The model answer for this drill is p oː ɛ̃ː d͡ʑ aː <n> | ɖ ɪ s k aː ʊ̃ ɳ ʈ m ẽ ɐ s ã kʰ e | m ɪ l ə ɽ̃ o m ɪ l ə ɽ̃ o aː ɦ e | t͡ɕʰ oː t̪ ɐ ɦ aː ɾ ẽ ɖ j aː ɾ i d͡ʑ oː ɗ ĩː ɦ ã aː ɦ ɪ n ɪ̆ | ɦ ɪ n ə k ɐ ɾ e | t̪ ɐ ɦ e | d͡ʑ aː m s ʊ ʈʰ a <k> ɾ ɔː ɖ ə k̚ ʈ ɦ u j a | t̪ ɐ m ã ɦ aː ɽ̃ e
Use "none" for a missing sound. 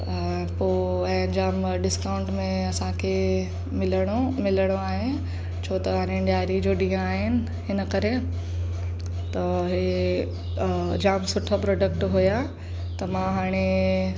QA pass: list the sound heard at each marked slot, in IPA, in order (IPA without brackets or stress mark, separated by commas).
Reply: m, p